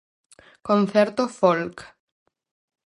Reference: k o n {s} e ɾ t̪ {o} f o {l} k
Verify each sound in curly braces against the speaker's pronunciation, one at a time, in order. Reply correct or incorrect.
incorrect: θ, correct, correct

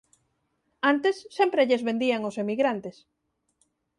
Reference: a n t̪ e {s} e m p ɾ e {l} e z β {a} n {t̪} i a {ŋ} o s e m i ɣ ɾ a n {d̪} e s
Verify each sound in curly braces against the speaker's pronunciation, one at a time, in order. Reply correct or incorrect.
incorrect: sː, incorrect: ʎ, incorrect: e, incorrect: d̪, correct, incorrect: t̪

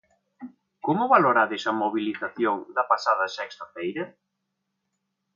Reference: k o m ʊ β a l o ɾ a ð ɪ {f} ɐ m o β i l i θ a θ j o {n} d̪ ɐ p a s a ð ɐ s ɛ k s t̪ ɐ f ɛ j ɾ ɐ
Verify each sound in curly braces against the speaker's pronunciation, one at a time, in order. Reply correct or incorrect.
incorrect: s, incorrect: ŋ

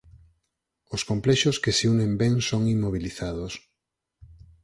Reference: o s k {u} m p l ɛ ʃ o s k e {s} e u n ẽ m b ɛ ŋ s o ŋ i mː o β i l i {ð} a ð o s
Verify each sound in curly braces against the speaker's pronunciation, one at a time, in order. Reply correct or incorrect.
incorrect: o, correct, incorrect: θ

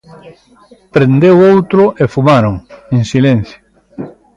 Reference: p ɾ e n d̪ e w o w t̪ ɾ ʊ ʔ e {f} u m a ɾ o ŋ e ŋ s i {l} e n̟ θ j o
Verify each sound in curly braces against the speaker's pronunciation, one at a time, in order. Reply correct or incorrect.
correct, correct

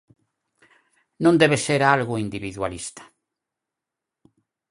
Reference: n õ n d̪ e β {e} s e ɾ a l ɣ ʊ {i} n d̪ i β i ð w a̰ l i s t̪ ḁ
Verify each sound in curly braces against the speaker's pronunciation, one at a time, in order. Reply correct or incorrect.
correct, correct

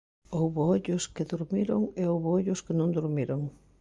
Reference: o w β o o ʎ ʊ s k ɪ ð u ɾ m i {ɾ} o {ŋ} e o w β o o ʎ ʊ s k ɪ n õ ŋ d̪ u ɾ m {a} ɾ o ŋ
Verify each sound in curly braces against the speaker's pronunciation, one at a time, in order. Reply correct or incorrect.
correct, correct, incorrect: i

